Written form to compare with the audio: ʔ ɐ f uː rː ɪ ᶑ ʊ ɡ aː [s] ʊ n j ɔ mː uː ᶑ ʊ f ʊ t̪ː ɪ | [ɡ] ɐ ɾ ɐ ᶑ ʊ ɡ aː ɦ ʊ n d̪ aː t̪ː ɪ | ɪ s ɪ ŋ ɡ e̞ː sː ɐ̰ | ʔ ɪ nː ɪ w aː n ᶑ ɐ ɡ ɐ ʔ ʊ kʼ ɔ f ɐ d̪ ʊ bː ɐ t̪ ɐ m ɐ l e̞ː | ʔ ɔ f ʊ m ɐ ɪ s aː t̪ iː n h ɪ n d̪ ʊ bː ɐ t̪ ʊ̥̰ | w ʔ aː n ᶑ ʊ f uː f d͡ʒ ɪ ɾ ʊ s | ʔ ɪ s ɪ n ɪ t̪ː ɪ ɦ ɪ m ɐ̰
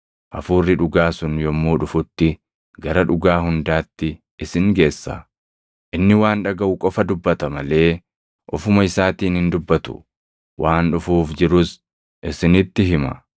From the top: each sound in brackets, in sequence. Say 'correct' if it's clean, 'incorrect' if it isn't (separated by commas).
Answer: correct, correct